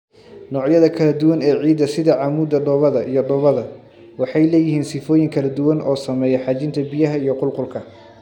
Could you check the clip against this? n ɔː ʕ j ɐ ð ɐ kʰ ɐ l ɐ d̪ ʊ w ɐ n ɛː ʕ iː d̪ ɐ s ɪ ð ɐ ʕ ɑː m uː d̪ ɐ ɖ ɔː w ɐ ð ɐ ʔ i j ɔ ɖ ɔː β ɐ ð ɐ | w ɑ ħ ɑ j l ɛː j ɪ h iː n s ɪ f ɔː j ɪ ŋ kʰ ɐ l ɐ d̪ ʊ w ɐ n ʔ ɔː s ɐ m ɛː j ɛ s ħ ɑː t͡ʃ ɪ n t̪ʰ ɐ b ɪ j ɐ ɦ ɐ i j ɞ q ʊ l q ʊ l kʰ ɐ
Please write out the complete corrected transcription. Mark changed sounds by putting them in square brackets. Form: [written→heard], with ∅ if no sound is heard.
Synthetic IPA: n ɔː ʕ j ɐ ð ɐ kʰ ɐ l ɐ d̪ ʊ w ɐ n ɛː ʕ iː d̪ ɐ s ɪ ð ɐ ʕ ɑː m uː d̪ ɐ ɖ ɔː [w→β] ɐ ð ɐ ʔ i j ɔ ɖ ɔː β ɐ ð ɐ | w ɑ ħ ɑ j l ɛː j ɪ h iː n s ɪ f ɔː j ɪ ŋ kʰ ɐ l ɐ d̪ ʊ w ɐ n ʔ ɔː s ɐ m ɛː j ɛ [s→∅] ħ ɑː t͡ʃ ɪ n t̪ʰ ɐ b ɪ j ɐ ɦ ɐ i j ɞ q ʊ l q ʊ l kʰ ɐ